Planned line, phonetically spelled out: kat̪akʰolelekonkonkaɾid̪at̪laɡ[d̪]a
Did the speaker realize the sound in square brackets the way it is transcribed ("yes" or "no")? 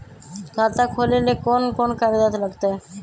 no